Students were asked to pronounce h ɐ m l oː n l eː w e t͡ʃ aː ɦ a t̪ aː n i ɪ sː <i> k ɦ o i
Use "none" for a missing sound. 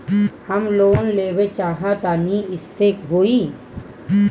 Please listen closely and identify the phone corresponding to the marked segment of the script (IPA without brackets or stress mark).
e